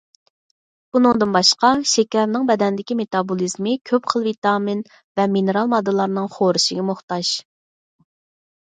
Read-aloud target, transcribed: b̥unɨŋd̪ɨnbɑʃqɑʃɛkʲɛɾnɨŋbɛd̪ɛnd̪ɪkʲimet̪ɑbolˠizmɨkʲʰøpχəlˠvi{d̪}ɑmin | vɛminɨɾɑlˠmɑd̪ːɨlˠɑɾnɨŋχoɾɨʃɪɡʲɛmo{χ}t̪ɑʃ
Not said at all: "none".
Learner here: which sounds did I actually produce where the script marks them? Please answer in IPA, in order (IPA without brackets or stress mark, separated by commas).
t̪, χ